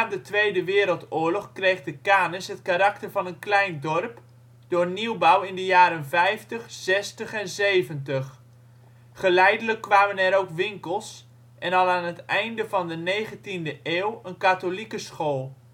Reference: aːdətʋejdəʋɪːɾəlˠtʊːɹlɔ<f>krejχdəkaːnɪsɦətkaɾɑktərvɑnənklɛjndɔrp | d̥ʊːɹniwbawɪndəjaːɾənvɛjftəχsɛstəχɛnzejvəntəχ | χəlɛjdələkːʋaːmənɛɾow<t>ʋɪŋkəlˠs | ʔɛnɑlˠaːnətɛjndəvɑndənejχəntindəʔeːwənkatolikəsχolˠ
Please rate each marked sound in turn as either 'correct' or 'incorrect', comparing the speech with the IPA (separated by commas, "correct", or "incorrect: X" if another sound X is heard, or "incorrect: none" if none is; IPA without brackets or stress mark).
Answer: incorrect: χ, incorrect: k